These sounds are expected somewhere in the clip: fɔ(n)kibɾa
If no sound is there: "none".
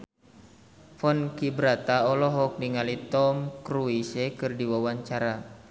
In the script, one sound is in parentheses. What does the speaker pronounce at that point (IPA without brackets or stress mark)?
n